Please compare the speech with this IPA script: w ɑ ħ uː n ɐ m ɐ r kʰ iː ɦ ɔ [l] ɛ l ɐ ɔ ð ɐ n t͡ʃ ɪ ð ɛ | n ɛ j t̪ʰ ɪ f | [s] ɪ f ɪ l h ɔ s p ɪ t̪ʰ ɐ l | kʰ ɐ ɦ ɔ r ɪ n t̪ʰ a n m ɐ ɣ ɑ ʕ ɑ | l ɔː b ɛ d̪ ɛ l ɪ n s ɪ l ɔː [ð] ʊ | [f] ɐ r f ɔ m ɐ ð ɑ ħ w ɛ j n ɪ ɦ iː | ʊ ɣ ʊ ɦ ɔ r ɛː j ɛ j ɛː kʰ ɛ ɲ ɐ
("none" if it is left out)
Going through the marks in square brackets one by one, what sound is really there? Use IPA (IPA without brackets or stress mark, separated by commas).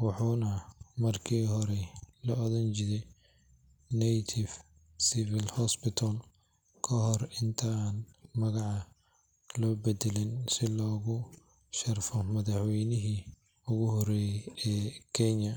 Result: ɾ, s, ɣ, ʃ